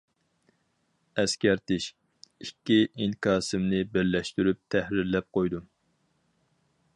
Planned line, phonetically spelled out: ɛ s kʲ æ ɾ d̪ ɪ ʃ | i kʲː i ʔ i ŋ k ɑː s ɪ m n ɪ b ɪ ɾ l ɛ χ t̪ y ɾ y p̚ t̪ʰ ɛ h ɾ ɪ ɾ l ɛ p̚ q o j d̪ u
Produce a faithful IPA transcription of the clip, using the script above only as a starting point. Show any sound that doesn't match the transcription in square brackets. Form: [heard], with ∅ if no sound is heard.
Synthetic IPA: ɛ s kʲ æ ɾ [t̪] ɪ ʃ | i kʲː i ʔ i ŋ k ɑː s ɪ m n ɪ b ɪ ɾ l ɛ [ʃ] t̪ y ɾ y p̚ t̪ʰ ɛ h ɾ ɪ ɾ l ɛ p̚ q o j d̪ u